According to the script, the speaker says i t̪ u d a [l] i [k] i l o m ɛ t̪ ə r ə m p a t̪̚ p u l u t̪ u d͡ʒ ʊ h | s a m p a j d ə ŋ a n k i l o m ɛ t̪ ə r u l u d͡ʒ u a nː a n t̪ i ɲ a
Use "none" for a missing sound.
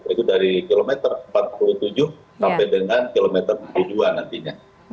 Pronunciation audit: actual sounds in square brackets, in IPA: ɾ, k

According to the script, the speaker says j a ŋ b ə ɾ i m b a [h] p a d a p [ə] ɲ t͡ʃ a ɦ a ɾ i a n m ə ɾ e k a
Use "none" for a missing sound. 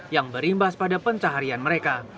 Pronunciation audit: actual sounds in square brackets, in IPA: s, ə

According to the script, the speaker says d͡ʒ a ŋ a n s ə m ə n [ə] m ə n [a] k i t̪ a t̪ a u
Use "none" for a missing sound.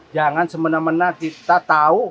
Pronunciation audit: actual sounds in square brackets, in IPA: a, a

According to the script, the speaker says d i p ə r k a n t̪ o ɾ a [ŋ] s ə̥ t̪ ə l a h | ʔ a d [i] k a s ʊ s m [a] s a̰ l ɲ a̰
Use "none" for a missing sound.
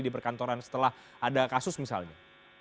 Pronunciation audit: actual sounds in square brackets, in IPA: n, a, i

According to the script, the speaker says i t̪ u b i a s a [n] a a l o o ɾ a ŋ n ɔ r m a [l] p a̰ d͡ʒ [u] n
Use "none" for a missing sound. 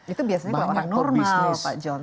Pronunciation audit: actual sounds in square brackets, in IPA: ɲ, l, ɔ

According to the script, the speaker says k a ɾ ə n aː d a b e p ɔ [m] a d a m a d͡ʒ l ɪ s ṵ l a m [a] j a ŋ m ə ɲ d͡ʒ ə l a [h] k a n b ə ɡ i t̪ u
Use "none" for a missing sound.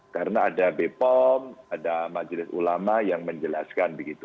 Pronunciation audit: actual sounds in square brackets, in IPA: m, a, s

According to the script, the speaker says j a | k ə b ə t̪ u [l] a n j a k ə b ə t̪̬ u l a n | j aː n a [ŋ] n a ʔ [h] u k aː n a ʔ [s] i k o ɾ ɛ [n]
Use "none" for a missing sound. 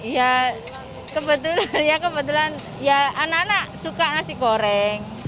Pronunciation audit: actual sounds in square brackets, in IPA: l, none, s, s, ŋ

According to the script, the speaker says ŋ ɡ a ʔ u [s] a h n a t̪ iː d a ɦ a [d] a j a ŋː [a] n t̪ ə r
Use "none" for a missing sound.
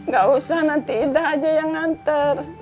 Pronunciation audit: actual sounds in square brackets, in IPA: s, d͡ʒ, a

